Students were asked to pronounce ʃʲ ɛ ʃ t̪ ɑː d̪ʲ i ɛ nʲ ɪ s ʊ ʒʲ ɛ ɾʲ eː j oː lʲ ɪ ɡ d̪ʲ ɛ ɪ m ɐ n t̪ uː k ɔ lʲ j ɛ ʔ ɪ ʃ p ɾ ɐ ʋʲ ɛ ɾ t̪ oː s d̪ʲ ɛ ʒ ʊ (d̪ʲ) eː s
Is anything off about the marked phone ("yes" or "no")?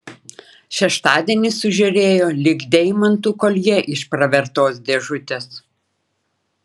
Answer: yes